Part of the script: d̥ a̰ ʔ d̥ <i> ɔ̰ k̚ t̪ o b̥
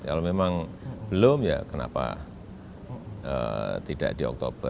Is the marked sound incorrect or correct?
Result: correct